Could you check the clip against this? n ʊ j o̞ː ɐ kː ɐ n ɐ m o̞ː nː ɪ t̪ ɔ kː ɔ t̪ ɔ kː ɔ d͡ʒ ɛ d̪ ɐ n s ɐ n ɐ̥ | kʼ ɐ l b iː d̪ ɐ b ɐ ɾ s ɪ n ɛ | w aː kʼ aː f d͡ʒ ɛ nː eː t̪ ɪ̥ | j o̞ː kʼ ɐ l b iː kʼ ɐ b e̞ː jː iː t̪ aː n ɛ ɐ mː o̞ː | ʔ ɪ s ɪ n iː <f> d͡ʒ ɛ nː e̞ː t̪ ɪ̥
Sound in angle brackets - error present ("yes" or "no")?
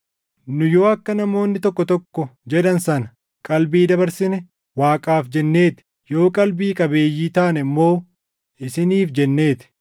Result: no